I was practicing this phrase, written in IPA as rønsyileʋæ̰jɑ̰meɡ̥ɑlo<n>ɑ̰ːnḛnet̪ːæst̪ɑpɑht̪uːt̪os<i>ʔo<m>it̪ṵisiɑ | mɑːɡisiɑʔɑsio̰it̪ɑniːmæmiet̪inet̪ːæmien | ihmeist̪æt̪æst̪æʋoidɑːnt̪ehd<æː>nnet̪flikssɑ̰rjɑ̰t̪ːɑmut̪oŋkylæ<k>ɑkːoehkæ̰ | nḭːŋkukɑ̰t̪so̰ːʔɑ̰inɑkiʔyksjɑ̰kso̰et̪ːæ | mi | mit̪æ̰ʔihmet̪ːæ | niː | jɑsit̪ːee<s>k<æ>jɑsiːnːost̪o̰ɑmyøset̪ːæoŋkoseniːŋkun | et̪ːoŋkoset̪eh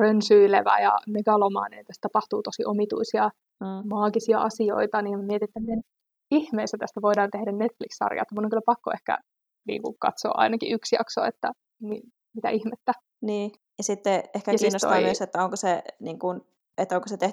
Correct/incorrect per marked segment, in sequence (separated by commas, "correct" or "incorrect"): incorrect, correct, correct, incorrect, incorrect, incorrect, correct